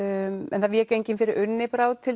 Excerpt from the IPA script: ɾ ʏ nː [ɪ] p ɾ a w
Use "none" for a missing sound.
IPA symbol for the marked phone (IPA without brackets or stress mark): ɪ